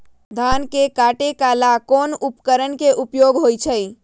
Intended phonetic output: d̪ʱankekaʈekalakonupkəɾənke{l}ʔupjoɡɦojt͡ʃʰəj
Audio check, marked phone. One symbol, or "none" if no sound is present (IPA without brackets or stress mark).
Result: none